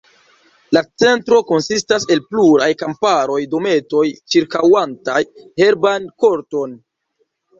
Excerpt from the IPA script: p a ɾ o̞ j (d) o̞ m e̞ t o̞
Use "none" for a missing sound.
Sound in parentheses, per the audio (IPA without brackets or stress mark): d